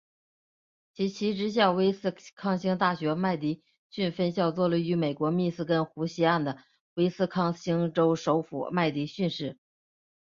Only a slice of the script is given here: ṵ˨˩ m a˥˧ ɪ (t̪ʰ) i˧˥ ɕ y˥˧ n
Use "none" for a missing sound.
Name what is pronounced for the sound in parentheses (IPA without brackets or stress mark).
t̪